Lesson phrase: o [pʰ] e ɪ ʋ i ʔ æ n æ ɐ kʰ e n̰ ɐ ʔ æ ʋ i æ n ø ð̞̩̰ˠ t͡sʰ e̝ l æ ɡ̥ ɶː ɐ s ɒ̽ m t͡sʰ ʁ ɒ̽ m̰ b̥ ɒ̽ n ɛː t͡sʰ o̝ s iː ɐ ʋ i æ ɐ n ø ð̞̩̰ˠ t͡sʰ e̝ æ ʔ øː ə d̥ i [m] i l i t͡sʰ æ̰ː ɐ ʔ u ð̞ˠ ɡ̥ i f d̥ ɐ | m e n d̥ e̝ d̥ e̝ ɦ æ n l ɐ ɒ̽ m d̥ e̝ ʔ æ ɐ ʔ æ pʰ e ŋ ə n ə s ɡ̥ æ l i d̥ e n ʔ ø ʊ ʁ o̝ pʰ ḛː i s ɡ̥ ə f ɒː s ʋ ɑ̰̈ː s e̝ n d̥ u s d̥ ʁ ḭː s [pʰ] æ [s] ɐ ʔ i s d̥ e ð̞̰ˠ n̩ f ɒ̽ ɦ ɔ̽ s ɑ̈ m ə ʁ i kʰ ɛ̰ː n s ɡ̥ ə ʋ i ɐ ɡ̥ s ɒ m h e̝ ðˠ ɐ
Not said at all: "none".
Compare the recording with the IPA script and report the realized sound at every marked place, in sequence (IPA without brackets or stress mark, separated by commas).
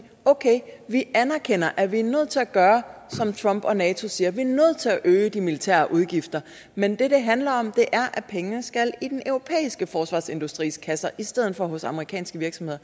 kʰ, m, kʰ, s